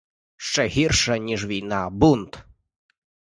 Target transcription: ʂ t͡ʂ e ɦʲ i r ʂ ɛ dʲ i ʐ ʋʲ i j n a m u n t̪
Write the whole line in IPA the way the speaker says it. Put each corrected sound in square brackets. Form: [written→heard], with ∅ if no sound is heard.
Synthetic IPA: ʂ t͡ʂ [e→ɛ] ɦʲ i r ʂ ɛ [dʲ→nʲ] i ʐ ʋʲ i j n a [m→b] u n t̪